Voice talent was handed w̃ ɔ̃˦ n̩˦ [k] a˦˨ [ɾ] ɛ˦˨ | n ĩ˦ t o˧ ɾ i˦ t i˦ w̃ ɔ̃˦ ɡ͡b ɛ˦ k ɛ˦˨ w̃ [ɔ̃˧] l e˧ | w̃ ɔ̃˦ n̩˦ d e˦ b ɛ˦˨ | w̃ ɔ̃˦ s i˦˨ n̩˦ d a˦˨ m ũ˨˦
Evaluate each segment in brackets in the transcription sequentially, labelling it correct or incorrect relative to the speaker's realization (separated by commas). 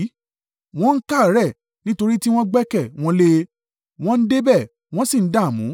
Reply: correct, correct, correct